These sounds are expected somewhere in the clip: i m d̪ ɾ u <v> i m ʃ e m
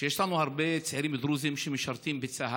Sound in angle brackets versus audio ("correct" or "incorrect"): incorrect